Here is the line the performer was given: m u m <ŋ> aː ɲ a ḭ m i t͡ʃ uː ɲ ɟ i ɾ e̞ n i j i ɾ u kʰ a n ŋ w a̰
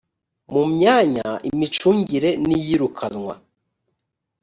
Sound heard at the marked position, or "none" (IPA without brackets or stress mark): ɲ